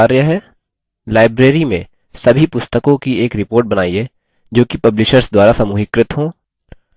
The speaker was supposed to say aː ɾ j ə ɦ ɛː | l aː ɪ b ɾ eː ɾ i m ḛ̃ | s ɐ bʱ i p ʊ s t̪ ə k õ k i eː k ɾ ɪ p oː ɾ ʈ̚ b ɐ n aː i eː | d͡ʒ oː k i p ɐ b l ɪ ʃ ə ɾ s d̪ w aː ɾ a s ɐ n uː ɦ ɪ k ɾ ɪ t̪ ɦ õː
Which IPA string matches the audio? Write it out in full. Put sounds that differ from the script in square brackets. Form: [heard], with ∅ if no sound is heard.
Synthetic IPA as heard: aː ɾ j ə ɦ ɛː | l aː ɪ b ɾ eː ɾ i m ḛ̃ | s ɐ bʱ i p ʊ s t̪ ə k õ k i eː k ɾ ɪ p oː ɾ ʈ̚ b ɐ n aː i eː | d͡ʒ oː k i p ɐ b l ɪ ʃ ə ɾ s d̪ w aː ɾ a s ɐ [m] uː ɦ ɪ k ɾ ɪ t̪ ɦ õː